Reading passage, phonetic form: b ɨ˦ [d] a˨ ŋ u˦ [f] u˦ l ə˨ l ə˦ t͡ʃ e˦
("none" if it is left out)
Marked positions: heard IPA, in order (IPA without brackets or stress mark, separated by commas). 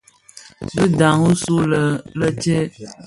d, s